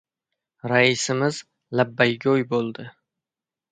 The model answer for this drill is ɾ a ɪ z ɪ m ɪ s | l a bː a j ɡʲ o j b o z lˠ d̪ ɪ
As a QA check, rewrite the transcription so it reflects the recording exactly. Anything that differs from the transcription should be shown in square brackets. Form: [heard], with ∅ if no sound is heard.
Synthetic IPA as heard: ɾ a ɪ [s] ɪ m ɪ [z] | l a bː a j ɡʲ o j b o [∅] lˠ d̪ ɪ